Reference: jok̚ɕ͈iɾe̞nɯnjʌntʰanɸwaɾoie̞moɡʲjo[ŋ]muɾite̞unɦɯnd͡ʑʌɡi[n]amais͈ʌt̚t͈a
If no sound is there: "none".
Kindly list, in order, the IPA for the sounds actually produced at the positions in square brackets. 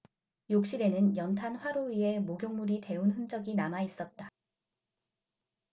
ŋ, n

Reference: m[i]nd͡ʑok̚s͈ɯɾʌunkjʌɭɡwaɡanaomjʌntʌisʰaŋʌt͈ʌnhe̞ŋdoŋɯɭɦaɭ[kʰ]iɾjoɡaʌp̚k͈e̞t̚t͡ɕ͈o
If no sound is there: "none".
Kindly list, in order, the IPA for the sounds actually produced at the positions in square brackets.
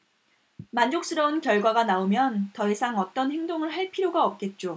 a, pʰ

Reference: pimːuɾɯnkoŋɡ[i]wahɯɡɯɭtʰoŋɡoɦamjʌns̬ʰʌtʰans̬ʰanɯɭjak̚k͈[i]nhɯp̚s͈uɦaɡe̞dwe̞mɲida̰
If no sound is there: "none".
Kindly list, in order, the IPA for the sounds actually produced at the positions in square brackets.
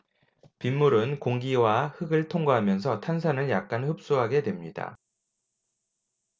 i, a

